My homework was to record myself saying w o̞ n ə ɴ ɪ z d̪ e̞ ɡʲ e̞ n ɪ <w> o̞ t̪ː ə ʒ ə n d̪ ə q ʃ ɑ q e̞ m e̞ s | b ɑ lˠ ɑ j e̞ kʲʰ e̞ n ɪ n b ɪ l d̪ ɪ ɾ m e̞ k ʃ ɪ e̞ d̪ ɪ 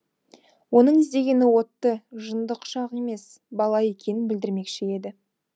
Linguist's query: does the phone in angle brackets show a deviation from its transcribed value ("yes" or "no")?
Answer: no